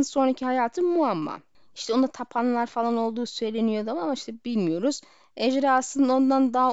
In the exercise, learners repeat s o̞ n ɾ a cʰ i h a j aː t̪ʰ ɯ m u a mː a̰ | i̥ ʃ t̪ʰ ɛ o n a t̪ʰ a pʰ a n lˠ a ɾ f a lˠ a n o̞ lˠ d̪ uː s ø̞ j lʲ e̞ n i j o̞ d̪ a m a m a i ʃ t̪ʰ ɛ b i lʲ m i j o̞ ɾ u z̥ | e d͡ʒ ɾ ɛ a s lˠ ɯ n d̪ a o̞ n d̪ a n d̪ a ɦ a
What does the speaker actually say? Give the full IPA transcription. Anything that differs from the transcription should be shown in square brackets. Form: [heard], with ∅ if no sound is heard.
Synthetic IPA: s o̞ n ɾ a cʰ i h a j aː t̪ʰ ɯ m u a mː a̰ | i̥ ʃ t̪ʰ ɛ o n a t̪ʰ a pʰ a n lˠ a ɾ f a lˠ a n o̞ lˠ d̪ uː s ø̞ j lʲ e̞ n i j o̞ d̪ a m a m a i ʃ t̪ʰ ɛ b i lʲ m i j o̞ ɾ u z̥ | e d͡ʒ ɾ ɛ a s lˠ ɯ n d̪ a o̞ n d̪ a n d̪ a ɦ a